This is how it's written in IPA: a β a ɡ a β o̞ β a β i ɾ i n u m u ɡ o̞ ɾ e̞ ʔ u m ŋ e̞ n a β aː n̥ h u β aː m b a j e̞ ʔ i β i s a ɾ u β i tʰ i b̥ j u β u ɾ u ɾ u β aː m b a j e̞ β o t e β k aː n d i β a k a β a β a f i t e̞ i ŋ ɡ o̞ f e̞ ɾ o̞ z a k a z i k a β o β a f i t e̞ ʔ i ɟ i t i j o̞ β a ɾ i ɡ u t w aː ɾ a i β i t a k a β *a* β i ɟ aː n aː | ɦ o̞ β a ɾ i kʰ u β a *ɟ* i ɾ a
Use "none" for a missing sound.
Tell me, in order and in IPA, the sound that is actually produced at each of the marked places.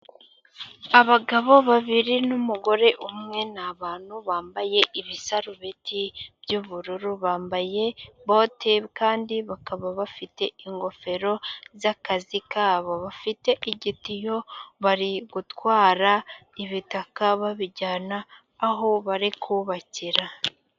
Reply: a, c

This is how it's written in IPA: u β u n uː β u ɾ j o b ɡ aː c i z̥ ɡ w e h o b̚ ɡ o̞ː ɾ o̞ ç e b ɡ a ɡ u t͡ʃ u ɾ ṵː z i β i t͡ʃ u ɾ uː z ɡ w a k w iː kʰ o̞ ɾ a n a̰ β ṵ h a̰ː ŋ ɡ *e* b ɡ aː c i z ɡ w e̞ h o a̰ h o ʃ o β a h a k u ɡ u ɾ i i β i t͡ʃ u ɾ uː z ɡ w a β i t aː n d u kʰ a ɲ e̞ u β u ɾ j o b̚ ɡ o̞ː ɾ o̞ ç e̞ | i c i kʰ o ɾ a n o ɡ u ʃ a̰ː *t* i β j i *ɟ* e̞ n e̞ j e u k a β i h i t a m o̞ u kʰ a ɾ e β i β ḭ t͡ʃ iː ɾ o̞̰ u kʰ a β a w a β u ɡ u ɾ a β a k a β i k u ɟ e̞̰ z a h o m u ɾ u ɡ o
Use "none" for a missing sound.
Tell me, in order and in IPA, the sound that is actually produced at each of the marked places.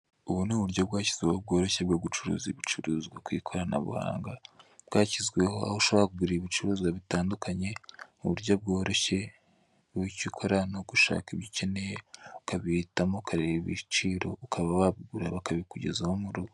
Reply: a, k, c

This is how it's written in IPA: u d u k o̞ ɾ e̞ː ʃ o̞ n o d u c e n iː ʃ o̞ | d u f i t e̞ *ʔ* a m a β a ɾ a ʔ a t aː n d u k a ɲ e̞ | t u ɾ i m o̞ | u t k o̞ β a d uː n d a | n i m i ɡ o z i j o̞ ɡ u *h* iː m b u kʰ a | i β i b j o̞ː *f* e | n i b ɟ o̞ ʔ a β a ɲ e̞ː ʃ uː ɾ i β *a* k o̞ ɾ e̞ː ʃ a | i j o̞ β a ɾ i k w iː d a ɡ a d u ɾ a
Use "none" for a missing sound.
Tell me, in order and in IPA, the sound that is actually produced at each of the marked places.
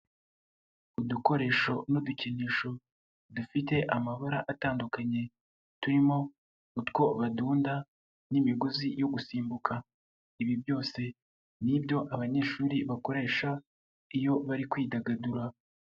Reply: ʔ, s, s, a

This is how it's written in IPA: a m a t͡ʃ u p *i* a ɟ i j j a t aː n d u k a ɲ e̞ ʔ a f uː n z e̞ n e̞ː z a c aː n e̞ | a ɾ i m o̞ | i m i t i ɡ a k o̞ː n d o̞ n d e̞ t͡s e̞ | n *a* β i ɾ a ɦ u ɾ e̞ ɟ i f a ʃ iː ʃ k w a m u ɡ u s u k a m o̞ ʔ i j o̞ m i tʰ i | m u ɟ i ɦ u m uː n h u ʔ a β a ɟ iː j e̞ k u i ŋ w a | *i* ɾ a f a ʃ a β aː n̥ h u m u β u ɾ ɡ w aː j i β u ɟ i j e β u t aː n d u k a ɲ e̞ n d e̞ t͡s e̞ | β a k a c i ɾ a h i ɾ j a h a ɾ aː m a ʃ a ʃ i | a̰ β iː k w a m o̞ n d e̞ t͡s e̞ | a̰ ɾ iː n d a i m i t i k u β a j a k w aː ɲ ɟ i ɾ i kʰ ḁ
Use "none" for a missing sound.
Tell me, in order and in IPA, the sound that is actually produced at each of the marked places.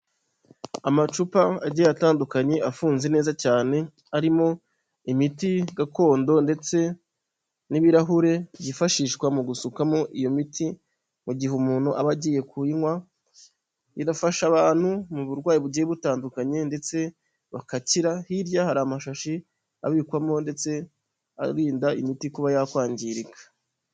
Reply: a, i, i

